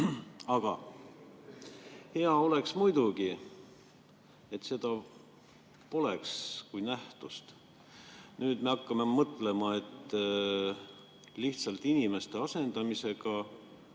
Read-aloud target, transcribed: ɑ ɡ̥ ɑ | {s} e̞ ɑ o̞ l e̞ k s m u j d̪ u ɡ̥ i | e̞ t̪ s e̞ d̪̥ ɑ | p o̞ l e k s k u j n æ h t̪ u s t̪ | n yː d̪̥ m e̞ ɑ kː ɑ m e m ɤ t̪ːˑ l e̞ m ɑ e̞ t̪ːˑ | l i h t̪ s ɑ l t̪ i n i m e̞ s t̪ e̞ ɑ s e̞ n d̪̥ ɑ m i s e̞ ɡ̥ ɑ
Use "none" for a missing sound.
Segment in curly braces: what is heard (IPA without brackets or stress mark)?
h